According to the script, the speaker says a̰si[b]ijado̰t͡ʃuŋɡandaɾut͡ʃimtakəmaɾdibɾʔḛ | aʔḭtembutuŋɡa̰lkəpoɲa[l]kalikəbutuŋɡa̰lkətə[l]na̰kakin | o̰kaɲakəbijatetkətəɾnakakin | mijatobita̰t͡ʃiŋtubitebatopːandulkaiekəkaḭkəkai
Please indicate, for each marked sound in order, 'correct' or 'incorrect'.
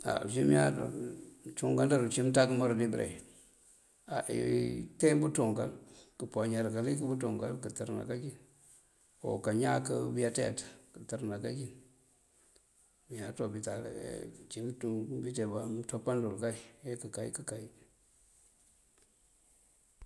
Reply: incorrect: m, incorrect: ɾ, incorrect: ɾ

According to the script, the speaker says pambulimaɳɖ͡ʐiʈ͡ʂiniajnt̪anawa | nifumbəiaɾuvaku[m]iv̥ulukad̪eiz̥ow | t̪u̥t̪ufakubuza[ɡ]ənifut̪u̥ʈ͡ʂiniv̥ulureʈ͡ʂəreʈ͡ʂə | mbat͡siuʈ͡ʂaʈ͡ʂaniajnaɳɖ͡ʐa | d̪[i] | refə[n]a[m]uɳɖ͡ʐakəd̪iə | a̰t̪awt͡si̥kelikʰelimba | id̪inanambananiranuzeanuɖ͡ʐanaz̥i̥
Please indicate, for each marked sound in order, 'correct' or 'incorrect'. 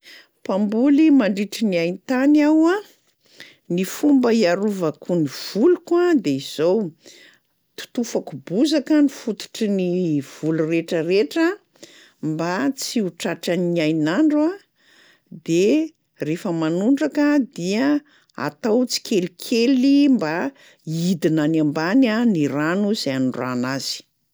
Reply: incorrect: n, incorrect: k, incorrect: e, incorrect: m, incorrect: n

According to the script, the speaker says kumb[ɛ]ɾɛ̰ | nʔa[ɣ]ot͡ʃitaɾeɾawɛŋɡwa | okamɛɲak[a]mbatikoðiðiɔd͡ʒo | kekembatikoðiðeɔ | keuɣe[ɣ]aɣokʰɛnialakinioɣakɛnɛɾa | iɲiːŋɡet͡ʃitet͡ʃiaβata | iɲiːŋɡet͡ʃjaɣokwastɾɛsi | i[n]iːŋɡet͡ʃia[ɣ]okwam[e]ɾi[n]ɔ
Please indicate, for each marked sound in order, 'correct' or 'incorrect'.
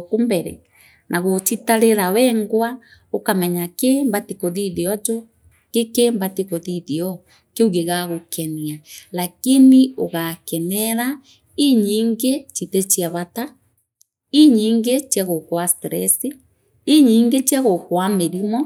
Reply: correct, correct, incorrect: e, correct, incorrect: ɲ, correct, correct, incorrect: m

